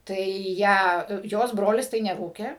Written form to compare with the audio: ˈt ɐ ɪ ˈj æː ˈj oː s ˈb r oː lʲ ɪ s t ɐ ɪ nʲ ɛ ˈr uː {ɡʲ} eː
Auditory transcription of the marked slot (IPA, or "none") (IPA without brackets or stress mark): kʲ